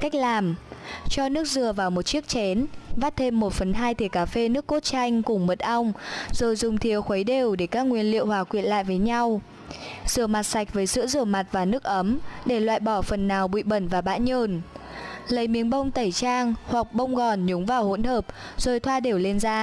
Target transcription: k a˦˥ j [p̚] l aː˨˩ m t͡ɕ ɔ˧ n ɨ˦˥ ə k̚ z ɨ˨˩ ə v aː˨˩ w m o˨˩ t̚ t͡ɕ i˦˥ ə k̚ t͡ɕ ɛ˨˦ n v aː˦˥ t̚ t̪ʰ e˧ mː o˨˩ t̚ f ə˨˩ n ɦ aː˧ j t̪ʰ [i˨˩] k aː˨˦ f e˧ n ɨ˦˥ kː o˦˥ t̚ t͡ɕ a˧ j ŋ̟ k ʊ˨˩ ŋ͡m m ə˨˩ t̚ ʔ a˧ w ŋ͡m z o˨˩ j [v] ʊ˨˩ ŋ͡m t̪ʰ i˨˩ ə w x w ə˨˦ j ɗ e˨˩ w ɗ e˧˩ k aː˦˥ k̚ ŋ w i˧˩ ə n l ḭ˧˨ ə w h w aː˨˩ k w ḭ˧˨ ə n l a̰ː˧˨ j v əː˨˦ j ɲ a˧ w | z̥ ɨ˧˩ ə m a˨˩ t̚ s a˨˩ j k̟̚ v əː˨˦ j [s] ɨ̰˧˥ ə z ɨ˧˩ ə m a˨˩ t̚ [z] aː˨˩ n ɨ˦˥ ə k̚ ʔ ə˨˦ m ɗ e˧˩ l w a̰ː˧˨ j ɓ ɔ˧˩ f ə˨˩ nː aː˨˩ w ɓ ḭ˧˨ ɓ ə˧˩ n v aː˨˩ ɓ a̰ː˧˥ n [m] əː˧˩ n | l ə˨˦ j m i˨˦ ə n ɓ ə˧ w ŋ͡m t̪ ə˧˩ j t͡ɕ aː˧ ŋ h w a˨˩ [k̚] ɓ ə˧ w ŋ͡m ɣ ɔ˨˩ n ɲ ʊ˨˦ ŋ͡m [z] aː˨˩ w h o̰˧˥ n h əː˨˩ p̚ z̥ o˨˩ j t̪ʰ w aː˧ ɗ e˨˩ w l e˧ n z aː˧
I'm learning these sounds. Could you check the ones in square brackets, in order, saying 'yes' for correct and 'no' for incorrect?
no, no, no, yes, no, no, yes, no

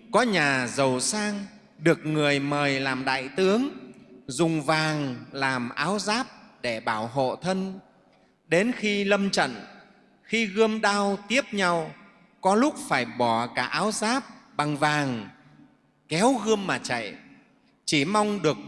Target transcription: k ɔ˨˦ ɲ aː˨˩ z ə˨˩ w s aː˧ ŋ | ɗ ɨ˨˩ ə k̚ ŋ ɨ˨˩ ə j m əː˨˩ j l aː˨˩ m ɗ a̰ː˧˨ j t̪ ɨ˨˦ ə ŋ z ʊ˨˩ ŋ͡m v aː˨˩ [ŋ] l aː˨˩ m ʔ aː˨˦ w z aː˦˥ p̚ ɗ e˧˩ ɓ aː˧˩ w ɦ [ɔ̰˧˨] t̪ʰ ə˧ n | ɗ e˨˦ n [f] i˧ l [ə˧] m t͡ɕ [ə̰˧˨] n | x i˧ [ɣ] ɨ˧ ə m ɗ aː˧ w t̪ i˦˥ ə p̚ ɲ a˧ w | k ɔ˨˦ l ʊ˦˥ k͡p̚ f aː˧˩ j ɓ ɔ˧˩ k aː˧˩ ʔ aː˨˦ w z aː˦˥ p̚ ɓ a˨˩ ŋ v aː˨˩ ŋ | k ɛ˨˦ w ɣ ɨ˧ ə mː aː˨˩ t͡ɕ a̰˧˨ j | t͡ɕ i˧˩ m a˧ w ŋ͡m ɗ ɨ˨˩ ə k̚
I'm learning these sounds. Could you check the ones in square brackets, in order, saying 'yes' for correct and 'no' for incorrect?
yes, no, no, yes, yes, yes

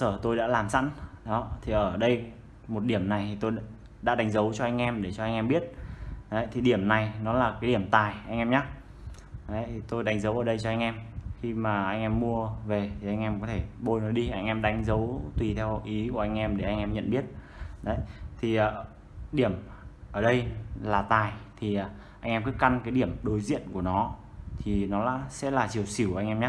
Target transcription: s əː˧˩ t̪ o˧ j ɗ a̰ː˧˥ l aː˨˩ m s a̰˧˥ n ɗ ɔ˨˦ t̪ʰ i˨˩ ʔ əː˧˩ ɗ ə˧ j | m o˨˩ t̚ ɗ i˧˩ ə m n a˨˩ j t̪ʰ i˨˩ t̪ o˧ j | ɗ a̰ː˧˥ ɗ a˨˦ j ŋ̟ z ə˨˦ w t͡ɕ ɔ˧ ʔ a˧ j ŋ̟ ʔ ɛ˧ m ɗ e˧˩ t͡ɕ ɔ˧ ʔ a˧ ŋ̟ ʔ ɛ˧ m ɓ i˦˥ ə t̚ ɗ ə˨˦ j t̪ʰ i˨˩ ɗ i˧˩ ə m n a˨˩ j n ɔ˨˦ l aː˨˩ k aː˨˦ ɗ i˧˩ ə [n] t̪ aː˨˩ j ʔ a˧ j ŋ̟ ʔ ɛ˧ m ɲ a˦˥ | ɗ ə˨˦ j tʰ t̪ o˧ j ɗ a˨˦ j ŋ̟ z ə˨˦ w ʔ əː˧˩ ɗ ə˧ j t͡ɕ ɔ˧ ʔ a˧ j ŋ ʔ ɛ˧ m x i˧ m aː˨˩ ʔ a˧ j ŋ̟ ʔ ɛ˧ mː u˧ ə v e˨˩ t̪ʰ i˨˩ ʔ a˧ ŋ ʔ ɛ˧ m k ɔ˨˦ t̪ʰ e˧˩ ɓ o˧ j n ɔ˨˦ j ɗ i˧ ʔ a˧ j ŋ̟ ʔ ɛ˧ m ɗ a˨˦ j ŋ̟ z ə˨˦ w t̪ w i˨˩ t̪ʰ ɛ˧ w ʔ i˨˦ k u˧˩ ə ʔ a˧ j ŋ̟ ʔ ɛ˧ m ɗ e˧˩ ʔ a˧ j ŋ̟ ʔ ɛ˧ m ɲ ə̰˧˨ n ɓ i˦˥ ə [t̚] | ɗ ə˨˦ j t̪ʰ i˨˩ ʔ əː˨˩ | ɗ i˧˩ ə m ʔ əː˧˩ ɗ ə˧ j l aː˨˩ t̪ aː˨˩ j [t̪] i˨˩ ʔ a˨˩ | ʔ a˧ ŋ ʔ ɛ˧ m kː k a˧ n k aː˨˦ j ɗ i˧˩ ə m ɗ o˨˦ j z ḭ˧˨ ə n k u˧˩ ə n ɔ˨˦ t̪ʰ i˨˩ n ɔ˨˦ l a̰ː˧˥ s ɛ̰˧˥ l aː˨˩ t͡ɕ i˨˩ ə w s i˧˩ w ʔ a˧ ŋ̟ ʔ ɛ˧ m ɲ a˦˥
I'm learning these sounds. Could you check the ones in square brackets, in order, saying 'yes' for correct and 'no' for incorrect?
no, yes, no

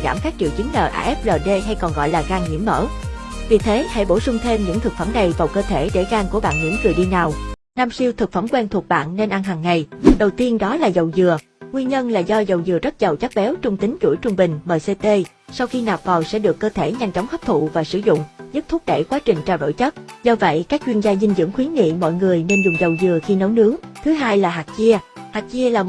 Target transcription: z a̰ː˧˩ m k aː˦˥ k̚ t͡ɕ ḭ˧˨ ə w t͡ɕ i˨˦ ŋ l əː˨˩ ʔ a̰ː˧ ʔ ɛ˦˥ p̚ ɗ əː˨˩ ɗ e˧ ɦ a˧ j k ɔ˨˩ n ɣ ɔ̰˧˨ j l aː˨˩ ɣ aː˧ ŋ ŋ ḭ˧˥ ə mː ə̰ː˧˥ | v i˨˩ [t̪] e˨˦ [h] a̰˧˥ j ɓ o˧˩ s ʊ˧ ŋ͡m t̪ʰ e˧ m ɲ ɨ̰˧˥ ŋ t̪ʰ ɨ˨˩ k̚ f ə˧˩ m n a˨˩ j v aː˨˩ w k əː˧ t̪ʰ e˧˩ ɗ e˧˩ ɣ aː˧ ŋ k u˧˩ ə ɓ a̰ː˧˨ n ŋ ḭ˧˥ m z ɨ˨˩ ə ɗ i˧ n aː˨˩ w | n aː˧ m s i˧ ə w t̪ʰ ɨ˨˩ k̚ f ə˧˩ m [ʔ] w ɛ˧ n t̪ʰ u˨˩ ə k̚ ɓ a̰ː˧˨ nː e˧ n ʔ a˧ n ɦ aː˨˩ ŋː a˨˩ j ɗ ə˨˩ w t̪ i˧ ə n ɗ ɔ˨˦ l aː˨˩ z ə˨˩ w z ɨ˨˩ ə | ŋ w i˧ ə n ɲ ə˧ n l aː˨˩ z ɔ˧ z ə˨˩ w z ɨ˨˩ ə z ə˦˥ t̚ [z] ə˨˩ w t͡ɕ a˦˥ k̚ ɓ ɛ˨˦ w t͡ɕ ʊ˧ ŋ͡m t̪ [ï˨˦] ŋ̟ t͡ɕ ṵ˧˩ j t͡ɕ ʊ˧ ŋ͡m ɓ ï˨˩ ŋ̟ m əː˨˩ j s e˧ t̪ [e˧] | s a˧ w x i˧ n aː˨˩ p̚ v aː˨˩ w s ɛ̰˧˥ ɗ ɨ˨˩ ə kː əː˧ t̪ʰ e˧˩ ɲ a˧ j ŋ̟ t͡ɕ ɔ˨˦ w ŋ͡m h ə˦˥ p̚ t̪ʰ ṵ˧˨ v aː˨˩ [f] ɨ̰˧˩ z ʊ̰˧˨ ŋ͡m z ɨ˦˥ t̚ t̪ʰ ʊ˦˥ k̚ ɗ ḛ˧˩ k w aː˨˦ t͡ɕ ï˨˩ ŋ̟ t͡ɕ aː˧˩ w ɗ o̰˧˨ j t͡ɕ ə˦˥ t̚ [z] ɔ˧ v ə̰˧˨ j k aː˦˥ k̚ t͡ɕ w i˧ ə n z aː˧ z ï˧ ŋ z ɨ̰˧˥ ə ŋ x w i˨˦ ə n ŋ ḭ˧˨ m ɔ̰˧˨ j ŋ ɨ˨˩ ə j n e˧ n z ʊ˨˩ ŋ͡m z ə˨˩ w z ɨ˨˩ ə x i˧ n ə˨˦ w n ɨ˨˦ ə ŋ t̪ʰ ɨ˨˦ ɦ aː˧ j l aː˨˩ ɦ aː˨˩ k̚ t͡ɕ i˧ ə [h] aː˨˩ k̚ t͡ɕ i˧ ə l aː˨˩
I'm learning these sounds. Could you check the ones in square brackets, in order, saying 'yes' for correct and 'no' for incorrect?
no, yes, no, yes, yes, yes, no, yes, yes

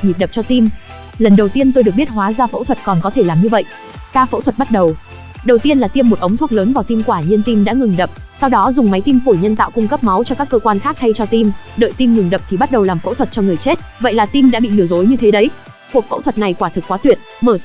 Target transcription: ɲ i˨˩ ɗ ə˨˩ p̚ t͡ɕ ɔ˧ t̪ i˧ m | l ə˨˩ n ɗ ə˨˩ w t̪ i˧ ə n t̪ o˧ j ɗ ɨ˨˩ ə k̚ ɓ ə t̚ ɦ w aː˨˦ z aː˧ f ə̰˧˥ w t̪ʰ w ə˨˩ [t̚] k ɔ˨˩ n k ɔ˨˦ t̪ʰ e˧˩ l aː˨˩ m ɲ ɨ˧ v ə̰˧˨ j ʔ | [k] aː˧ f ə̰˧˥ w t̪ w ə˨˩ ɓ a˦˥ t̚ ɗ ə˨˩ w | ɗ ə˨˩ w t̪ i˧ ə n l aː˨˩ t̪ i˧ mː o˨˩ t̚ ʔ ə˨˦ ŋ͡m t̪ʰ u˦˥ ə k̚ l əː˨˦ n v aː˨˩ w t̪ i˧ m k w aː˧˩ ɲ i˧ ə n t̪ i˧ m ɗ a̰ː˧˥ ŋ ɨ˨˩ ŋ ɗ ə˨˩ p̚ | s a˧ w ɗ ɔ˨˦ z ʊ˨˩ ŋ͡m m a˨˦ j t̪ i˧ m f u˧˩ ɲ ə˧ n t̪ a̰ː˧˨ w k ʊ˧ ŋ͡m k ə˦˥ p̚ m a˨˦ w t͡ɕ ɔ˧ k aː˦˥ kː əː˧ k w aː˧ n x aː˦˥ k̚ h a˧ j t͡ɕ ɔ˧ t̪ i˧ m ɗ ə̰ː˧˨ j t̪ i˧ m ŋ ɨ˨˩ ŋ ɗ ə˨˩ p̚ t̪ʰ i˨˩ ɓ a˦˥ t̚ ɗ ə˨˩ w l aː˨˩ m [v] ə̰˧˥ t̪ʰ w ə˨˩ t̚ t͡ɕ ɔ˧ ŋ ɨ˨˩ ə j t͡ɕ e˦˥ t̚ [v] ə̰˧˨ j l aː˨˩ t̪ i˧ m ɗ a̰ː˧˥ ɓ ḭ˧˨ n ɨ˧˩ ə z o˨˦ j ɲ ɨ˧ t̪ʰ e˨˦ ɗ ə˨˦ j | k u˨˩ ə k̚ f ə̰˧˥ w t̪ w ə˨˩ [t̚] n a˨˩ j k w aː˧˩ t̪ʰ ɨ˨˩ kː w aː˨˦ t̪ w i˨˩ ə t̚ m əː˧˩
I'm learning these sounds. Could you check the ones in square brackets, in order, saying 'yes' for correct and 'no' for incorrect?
yes, yes, no, yes, yes

